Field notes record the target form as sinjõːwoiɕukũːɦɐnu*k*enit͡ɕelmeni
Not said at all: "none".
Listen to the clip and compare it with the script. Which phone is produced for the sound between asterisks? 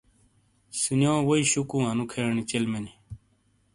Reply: kʰ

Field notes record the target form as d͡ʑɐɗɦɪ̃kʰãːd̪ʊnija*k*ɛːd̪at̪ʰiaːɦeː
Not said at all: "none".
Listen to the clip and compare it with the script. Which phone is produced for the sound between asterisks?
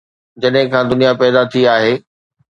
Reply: p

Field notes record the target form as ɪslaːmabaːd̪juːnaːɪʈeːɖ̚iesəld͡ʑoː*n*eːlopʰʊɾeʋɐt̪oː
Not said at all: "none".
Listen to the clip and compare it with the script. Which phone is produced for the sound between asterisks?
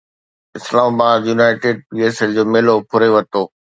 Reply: m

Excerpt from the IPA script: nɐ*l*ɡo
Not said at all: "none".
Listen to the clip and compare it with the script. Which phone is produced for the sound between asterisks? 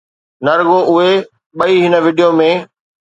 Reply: ɾ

